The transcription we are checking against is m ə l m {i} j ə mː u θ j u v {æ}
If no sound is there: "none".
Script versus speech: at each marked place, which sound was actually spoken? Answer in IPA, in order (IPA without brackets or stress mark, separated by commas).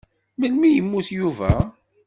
i, æ